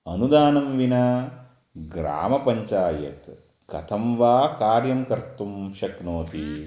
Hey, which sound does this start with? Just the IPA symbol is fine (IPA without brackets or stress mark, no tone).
ɐ